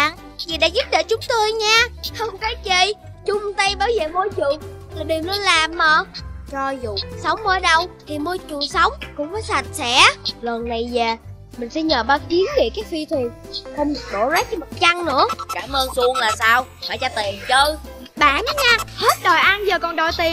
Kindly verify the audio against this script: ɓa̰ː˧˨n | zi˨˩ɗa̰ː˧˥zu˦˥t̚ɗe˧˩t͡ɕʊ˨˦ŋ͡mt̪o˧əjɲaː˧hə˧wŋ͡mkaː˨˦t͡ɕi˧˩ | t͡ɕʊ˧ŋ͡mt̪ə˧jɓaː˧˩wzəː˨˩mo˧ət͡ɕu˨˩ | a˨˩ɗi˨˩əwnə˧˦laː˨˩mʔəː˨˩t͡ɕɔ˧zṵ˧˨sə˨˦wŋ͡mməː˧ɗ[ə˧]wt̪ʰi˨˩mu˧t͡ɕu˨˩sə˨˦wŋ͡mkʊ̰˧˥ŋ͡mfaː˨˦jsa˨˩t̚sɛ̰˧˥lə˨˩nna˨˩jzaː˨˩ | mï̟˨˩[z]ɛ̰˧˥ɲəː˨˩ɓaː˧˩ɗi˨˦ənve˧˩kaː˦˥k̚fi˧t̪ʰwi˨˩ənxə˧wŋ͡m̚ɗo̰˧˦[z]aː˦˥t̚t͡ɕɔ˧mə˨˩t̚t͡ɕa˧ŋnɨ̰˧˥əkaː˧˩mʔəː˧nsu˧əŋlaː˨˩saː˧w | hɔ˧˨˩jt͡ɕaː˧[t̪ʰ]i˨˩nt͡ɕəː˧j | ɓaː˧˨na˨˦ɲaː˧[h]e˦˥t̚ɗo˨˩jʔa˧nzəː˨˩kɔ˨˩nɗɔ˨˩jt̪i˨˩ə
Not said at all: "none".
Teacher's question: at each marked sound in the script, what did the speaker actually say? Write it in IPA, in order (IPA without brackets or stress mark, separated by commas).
ə˧, s, z, t̪, h